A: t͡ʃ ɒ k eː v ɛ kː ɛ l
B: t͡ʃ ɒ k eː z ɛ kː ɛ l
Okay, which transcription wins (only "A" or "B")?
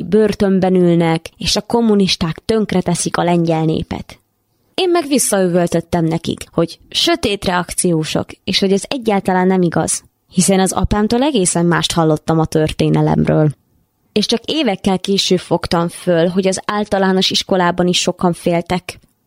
A